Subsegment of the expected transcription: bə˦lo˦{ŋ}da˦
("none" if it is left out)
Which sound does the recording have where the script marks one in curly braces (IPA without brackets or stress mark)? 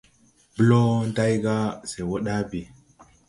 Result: n